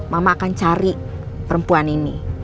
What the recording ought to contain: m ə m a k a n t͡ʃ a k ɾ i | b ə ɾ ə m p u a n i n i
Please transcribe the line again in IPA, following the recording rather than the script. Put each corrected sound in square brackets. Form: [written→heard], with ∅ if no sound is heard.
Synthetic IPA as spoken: m [ə→a] m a k a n t͡ʃ a [k→∅] ɾ i | [b→p] ə ɾ ə m p u a n i n i